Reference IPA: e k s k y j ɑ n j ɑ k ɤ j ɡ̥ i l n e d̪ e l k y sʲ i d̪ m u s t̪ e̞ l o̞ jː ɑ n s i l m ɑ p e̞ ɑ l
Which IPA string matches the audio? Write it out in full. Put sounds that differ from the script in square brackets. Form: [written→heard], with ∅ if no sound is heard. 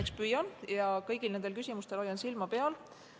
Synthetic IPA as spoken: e k s [k→p] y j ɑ n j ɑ k ɤ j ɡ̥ i l n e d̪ e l k y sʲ i [d̪→∅] m u s t̪ e̞ l o̞ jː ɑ n s i l m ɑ p e̞ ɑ l